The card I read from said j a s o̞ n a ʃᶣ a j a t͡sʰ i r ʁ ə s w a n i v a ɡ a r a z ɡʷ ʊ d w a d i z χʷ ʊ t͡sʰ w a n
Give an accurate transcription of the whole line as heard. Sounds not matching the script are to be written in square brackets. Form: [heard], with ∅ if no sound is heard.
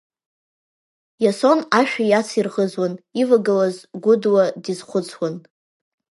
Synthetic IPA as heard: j a s o̞ n a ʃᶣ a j a t͡sʰ i r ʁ ə [z] w a n i v a ɡ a [l] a z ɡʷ ʊ d w a d i z χʷ ʊ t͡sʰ w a n